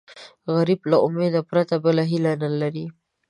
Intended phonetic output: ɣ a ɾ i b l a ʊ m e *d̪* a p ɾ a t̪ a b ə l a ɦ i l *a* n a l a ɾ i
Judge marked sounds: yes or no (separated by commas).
yes, yes